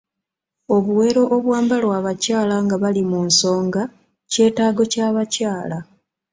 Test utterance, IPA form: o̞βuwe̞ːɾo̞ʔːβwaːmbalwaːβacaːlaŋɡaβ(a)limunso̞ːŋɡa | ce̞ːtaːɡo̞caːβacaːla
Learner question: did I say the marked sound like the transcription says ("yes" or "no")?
yes